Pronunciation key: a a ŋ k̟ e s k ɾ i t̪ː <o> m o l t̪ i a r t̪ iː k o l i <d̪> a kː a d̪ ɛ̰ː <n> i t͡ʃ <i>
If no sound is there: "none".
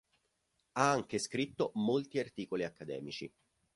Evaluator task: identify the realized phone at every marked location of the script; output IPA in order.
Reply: o, none, m, i

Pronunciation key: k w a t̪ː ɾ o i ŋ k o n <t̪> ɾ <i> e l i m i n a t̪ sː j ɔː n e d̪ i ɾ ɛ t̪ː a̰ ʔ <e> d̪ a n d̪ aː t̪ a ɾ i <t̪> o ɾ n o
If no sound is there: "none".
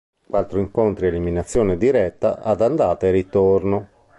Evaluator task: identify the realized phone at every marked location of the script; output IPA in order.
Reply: t̪, i, a, t̪

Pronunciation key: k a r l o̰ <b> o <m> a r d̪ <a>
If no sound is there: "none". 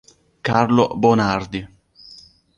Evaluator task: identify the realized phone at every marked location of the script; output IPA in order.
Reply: b, n, i

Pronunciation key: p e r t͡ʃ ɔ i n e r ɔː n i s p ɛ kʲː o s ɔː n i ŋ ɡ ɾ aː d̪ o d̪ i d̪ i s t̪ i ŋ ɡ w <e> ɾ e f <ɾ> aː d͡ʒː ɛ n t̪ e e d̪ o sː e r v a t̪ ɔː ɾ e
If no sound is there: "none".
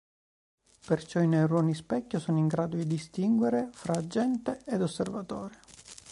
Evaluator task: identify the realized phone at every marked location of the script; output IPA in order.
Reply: e, ɾ

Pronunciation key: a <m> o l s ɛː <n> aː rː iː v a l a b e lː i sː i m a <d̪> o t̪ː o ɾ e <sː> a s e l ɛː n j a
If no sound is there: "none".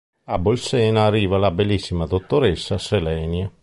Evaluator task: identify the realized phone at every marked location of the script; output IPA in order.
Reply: b, n, d̪, sː

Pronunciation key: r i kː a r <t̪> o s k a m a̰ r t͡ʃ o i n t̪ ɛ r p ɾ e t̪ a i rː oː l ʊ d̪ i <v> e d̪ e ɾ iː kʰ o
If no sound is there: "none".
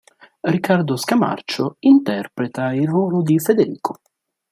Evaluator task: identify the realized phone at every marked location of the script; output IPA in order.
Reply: d̪, f

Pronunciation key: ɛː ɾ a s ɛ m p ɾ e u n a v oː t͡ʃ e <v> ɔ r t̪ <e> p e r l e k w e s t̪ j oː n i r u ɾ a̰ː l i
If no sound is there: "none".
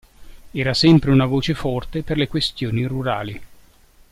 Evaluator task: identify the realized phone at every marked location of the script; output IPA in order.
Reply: f, e

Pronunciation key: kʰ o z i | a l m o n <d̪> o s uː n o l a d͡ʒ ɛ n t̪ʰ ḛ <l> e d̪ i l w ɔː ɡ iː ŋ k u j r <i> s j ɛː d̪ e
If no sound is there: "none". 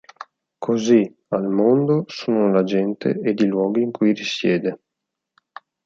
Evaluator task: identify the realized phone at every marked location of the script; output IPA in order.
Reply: d̪, none, i

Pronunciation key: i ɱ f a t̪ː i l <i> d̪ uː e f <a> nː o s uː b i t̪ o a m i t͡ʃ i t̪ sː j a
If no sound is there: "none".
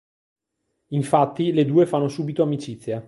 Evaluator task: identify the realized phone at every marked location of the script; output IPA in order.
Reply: e, a

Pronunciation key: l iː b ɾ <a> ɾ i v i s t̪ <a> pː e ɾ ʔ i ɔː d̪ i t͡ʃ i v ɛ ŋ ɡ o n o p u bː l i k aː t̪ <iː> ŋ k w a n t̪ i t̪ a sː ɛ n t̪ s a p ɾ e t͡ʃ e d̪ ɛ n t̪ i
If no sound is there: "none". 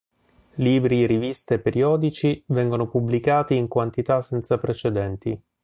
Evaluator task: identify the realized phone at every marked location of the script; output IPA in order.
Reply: i, e, iː

